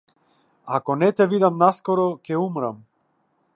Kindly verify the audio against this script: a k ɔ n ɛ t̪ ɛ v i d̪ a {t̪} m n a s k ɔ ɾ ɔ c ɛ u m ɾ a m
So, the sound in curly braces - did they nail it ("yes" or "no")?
no